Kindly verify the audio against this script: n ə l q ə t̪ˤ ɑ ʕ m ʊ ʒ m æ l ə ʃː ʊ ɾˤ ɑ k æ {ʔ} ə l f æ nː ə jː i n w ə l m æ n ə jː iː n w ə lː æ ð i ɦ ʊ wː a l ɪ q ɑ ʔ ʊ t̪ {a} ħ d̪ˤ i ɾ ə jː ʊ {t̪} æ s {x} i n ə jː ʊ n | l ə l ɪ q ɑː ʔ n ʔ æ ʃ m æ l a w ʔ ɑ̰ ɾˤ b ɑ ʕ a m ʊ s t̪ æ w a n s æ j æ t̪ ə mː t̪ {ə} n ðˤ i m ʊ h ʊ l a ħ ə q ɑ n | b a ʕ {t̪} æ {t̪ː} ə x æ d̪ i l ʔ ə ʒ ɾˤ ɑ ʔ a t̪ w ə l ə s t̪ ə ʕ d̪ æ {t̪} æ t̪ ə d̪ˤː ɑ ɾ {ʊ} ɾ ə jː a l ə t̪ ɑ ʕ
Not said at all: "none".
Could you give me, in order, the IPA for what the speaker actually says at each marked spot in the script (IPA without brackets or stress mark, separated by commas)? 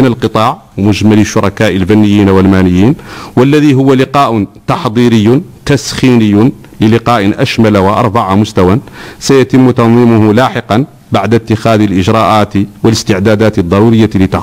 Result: ʔ, ɑ, t̪, x, ɑ, d̪, t̪ː, d̪, u